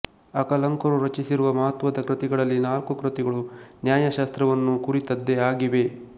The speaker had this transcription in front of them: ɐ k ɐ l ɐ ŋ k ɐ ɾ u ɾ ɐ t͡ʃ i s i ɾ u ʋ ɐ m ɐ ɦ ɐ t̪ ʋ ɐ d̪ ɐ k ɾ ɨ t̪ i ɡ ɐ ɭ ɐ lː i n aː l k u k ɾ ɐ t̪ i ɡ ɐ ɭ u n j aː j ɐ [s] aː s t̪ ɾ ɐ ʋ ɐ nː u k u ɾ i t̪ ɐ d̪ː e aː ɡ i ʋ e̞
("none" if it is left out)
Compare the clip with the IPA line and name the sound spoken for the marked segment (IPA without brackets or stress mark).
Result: ʃ